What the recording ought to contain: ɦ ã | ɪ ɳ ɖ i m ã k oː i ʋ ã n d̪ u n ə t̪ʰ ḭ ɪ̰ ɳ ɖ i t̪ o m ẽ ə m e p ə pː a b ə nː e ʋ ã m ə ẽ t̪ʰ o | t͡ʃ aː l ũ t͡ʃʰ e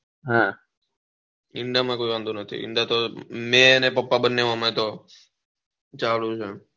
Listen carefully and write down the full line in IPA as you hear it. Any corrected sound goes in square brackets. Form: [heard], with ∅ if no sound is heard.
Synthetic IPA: ɦ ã | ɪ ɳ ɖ [a] m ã k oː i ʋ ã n d̪ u n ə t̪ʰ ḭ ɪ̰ ɳ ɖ [a] t̪ o m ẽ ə [n] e p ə pː a b ə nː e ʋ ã m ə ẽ [t̪] o | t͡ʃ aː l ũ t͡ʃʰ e

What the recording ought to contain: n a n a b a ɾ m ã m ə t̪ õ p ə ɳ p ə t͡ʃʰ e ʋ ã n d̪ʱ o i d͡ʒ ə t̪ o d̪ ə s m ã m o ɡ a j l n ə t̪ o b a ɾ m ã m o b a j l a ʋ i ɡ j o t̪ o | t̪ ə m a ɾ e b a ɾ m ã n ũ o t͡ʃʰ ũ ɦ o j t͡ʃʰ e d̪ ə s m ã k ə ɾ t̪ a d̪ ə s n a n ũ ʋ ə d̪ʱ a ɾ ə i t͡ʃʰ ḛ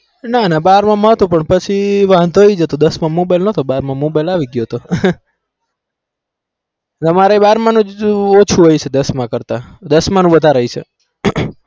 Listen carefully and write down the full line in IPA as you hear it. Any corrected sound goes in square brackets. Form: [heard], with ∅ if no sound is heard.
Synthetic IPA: n a n a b a ɾ m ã m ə t̪ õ p ə ɳ p ə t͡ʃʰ [i] ʋ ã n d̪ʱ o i d͡ʒ ə t̪ o d̪ ə s m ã m o [b] a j l n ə t̪ o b a ɾ m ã m o b a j l a ʋ i ɡ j o t̪ o | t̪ ə m a ɾ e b a ɾ m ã n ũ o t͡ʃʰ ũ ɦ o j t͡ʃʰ e d̪ ə s m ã k ə ɾ t̪ a d̪ ə s [m] a n ũ ʋ ə d̪ʱ a ɾ ə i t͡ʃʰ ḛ

